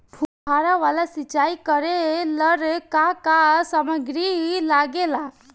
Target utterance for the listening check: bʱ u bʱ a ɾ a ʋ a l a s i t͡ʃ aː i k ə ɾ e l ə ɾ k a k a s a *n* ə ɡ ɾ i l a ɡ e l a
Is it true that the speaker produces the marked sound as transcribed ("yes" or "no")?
no